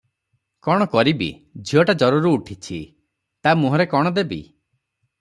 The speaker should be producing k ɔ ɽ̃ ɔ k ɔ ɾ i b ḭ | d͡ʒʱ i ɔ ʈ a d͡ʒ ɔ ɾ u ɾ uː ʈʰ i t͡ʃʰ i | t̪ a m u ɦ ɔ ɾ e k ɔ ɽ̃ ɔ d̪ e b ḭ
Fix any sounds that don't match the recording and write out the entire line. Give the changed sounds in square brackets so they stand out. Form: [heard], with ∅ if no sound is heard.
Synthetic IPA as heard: k ɔ ɽ̃ ɔ k ɔ ɾ i b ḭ | d͡ʒʱ i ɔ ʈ a d͡ʒ ɔ ɾ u ɾ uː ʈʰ i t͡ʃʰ i | t̪ a m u ɦ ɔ ɾ e k ɔ ɽ̃ ɔ d̪ e b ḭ

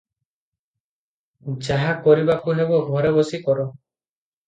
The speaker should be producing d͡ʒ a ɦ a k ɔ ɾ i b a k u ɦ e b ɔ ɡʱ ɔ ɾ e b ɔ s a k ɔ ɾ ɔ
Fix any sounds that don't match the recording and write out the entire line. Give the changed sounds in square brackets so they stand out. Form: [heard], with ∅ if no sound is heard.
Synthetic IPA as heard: d͡ʒ a ɦ a k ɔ ɾ i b a k u ɦ e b ɔ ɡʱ ɔ ɾ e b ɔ s [i] k ɔ ɾ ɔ

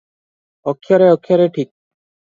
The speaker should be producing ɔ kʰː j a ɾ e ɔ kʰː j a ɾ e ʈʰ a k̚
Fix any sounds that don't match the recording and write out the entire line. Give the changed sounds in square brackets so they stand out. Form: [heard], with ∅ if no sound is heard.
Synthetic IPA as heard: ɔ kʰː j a ɾ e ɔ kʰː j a ɾ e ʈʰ [i] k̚

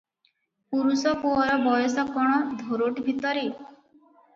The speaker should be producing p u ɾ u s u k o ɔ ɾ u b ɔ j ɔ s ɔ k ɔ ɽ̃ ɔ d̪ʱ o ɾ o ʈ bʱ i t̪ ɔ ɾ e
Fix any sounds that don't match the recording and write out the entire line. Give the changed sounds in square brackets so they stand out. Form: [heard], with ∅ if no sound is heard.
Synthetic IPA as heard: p u ɾ u s [ɔ] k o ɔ ɾ [ɔ] b ɔ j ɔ s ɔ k ɔ ɽ̃ ɔ d̪ʱ o ɾ o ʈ bʱ i t̪ ɔ ɾ e

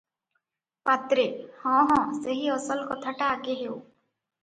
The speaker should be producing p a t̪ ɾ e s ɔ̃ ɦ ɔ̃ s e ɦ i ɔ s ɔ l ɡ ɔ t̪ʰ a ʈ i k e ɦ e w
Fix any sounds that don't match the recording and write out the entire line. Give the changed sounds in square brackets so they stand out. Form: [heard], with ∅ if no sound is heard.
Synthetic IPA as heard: p a t̪ ɾ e [h] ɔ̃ ɦ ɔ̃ s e ɦ i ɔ s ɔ l [k] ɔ t̪ʰ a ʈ [a] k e ɦ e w

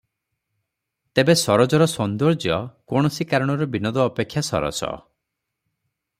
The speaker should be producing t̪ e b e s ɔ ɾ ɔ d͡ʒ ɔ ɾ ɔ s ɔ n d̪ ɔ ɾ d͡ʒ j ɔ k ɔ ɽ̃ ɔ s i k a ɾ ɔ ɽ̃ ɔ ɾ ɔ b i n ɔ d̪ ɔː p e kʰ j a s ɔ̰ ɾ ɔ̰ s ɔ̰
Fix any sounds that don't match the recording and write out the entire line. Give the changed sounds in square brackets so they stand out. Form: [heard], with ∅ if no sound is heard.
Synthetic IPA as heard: t̪ e b e s ɔ ɾ ɔ d͡ʒ ɔ ɾ ɔ s ɔ n d̪ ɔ ɾ d͡ʒ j ɔ k ɔ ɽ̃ ɔ s i k a ɾ ɔ ɽ̃ ɔ ɾ ɔ b i n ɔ d̪ ɔː p e kʰ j a s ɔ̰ ɾ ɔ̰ s ɔ̰

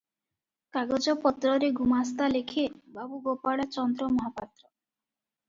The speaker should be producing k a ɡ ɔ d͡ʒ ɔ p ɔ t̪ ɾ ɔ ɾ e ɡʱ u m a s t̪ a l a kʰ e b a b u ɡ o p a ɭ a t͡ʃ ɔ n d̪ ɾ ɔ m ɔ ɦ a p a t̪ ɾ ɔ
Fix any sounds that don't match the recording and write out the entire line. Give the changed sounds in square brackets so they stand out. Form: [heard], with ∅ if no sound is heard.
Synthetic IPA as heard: k a ɡ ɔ d͡ʒ ɔ p ɔ t̪ ɾ ɔ ɾ e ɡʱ u m a s t̪ a l [e] kʰ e b a b u ɡ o p a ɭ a t͡ʃ ɔ n d̪ ɾ ɔ m ɔ ɦ a p a t̪ ɾ ɔ

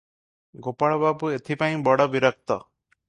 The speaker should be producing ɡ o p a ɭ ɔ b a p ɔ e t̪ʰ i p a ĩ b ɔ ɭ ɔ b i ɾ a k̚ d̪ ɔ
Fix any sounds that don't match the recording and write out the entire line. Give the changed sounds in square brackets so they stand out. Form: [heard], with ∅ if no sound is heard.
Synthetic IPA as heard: ɡ o p a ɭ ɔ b a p [u] e t̪ʰ i p a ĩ b ɔ [ɽ] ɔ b i ɾ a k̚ [t̪] ɔ

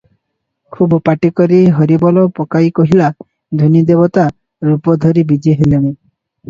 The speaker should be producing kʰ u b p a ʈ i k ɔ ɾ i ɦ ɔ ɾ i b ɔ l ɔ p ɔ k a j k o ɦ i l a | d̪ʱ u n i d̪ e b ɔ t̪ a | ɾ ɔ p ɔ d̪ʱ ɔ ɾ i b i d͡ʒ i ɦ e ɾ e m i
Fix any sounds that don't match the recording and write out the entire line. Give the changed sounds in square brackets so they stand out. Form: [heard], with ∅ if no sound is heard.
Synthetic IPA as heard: kʰ u b p a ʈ i k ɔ ɾ i ɦ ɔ ɾ i b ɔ l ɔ p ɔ k a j k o ɦ i l a | d̪ʱ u n i d̪ e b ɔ t̪ a | ɾ [u] p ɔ d̪ʱ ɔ ɾ i b i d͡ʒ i ɦ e [l] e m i

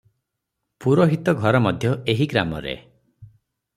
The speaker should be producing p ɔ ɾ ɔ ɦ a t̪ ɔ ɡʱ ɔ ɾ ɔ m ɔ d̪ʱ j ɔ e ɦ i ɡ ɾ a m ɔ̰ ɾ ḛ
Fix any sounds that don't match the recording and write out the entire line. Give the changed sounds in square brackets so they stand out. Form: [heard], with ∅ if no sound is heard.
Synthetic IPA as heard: p [u] ɾ ɔ ɦ [i] t̪ ɔ ɡʱ ɔ ɾ ɔ m ɔ d̪ʱ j ɔ e ɦ i ɡ ɾ a m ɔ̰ ɾ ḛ

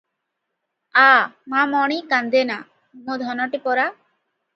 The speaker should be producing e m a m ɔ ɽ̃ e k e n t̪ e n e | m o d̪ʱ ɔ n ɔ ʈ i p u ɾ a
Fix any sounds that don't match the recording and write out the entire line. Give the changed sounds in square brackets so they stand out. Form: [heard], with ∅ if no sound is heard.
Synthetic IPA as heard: [a] m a m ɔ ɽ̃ [i] k [a] n [d̪] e n [a] | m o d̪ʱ ɔ n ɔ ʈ i p [ɔ] ɾ a

